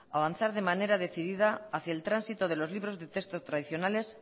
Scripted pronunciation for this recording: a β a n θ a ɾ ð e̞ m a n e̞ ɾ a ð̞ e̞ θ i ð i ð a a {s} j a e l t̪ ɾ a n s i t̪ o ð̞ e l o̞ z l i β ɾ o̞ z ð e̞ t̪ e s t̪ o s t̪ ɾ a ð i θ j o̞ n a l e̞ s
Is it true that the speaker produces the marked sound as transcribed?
no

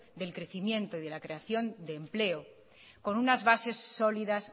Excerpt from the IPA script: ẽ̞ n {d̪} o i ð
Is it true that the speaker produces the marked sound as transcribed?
no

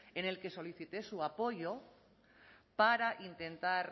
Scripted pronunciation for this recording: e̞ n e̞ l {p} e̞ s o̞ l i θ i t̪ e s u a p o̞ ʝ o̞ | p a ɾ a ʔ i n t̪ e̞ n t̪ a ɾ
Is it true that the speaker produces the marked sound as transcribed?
no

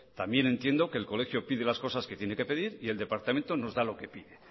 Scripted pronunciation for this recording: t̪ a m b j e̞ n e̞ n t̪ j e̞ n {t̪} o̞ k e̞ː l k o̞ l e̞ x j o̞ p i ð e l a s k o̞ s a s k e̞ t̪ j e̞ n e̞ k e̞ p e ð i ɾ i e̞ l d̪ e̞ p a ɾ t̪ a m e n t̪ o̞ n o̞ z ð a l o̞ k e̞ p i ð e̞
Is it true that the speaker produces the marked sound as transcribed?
no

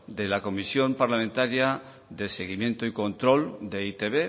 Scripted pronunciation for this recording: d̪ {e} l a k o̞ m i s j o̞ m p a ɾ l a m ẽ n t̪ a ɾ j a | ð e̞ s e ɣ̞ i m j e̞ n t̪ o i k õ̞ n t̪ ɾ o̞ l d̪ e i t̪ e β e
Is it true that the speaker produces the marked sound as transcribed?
yes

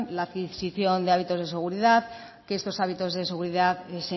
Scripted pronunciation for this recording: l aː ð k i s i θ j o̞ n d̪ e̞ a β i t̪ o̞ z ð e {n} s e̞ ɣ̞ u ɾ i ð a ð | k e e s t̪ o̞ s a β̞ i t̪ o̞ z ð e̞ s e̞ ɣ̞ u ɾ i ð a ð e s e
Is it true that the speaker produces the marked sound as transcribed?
no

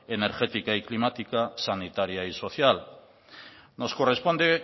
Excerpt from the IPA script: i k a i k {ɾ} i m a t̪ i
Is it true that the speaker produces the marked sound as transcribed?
no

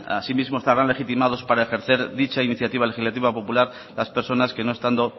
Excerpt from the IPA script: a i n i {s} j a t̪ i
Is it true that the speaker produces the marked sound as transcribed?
no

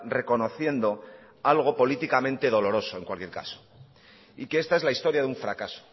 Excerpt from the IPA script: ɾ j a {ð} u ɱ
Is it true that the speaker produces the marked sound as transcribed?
yes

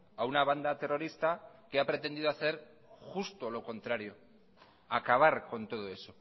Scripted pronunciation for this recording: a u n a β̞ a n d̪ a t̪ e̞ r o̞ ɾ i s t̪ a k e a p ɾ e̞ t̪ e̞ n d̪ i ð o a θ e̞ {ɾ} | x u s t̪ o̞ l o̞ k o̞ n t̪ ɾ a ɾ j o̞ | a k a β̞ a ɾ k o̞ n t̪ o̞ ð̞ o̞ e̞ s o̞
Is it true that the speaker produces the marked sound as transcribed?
yes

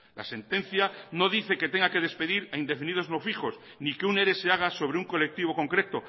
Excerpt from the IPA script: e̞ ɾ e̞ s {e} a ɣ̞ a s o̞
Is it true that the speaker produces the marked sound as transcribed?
yes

